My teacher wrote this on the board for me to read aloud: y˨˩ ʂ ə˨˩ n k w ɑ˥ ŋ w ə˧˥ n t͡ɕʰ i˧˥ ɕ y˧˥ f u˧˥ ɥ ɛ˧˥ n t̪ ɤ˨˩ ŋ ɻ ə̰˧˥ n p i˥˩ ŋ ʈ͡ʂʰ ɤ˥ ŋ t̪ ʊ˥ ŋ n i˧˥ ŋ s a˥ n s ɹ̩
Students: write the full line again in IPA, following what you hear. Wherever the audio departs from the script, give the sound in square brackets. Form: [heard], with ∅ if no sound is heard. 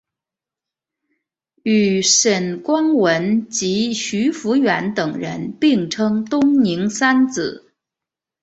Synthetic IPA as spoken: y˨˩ ʂ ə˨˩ n k w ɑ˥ ŋ w ə˧˥ n [t͡ɕ] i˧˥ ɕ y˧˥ f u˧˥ ɥ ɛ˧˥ n t̪ ɤ˨˩ ŋ ɻ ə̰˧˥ n p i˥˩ ŋ ʈ͡ʂʰ ɤ˥ ŋ t̪ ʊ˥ ŋ n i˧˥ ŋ s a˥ n [t͡s] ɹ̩